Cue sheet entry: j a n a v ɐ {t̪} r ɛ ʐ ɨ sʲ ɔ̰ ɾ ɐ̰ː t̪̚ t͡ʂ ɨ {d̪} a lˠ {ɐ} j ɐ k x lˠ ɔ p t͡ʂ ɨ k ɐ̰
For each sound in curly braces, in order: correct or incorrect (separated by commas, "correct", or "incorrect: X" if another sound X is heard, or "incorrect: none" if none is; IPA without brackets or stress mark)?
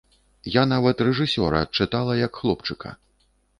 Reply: correct, incorrect: t̪, correct